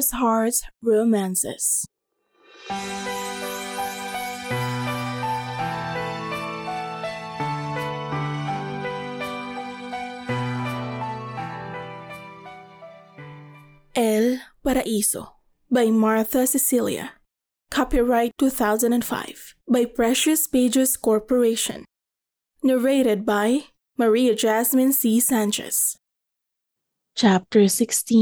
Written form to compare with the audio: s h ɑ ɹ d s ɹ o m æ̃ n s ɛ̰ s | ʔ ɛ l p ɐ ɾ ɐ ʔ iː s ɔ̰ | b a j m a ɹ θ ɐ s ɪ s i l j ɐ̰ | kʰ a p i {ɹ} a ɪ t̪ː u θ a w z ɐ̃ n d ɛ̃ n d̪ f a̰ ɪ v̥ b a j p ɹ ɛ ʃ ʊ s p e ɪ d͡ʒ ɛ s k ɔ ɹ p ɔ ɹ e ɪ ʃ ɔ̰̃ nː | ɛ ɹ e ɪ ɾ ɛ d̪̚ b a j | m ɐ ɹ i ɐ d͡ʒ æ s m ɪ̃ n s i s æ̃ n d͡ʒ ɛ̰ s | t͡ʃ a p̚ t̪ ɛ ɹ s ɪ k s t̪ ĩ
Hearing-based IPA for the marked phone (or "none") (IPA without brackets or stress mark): ɹ